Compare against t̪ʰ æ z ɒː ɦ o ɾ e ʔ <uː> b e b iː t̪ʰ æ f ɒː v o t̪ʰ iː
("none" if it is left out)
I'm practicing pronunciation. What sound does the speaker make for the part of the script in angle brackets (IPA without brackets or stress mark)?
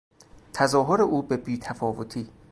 uː